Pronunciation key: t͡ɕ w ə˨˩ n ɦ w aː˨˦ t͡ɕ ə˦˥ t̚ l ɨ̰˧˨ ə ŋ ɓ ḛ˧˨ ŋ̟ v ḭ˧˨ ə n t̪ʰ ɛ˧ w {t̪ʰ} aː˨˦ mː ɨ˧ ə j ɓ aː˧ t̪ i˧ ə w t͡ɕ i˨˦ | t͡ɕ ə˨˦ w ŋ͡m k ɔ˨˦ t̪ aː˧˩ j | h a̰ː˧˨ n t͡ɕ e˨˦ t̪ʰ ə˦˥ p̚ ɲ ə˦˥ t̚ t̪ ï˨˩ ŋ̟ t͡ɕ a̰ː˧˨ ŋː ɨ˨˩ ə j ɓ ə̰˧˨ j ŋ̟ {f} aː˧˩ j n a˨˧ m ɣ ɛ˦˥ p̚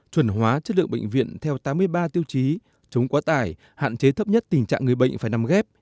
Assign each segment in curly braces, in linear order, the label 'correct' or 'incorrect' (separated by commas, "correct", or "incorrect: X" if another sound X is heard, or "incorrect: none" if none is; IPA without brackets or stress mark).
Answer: incorrect: t̪, correct